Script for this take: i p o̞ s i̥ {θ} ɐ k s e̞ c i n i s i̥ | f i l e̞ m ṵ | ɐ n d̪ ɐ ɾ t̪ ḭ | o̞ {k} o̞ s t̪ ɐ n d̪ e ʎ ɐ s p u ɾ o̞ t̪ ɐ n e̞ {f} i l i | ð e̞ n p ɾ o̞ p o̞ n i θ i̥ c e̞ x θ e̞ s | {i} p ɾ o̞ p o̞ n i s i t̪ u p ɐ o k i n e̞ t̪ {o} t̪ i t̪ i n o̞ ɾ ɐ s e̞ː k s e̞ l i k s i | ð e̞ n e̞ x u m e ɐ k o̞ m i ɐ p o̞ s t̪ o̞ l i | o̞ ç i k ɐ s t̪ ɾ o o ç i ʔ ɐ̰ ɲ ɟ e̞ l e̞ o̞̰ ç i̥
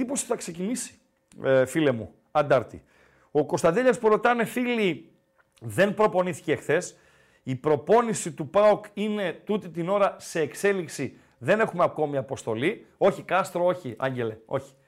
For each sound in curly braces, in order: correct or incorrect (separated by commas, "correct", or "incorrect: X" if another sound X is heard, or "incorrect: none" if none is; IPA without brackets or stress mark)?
correct, correct, correct, correct, incorrect: u